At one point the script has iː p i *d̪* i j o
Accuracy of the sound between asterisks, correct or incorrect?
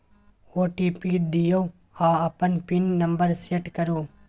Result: correct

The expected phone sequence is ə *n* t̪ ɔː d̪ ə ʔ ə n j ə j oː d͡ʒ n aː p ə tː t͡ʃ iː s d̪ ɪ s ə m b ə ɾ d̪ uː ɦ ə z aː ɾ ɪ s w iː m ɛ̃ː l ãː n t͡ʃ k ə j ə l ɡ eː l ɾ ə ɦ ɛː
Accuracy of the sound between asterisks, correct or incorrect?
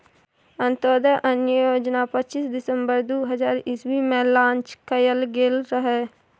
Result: correct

